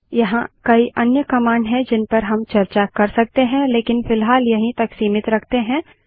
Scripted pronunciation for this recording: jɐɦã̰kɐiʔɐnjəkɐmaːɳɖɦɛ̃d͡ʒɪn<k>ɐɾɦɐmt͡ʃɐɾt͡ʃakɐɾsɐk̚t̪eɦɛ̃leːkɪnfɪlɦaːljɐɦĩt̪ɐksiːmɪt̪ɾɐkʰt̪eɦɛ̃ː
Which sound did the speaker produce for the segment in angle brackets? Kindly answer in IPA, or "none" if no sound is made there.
p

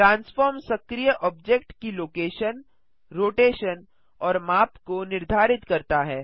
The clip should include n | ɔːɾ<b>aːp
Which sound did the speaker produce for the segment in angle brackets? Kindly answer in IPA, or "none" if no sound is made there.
m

